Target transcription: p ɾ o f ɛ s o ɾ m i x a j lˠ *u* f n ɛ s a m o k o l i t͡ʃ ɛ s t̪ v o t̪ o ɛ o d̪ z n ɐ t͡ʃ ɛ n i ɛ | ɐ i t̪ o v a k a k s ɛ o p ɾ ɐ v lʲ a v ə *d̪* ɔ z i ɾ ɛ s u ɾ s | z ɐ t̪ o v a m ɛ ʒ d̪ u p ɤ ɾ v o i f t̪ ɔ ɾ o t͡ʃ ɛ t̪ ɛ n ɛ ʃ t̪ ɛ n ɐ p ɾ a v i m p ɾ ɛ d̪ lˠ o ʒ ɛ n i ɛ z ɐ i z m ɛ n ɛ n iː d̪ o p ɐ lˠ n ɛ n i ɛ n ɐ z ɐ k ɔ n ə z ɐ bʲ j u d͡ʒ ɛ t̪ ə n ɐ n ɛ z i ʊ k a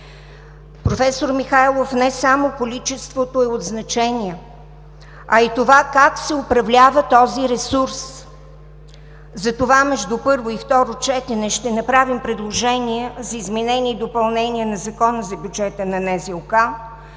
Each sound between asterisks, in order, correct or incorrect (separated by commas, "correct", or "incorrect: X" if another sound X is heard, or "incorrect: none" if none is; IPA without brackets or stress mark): incorrect: o, incorrect: t̪